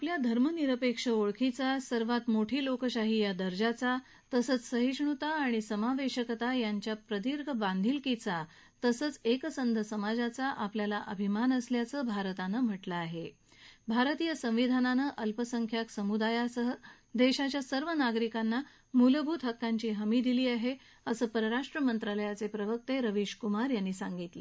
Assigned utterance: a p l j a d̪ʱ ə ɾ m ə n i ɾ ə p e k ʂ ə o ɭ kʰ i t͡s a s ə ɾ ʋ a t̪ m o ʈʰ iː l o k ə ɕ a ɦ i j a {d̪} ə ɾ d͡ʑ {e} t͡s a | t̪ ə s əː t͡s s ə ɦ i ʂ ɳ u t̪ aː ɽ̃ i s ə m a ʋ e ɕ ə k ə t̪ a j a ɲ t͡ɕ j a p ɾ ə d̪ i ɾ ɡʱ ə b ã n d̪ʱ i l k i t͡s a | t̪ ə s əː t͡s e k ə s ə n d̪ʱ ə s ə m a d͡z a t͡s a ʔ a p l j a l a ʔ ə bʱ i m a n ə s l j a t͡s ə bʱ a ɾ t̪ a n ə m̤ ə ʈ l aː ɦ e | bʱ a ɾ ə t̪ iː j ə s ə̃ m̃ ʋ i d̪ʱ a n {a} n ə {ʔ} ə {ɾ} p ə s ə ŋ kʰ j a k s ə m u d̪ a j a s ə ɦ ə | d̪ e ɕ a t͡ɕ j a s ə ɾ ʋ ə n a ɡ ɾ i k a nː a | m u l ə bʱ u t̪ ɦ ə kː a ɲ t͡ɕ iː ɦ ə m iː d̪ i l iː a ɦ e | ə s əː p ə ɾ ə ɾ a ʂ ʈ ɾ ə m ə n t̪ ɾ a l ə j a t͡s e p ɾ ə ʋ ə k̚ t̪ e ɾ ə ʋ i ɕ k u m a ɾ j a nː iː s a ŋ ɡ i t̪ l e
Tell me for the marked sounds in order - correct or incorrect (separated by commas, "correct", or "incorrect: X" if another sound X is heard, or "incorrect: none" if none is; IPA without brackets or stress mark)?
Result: correct, incorrect: a, correct, correct, incorrect: l